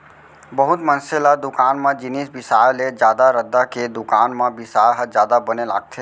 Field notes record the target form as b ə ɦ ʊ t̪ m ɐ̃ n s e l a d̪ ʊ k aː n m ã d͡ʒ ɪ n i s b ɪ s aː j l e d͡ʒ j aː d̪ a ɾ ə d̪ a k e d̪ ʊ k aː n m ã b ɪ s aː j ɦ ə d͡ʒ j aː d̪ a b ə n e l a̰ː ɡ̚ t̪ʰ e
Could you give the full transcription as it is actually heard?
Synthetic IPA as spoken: b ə ɦ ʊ t̪ m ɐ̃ n s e l a d̪ ʊ k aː n m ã d͡ʒ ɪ n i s b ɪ s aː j l e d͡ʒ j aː d̪ a ɾ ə d̪ a k e d̪ ʊ k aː n m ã b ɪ s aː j ɦ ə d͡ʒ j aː d̪ a b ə n e l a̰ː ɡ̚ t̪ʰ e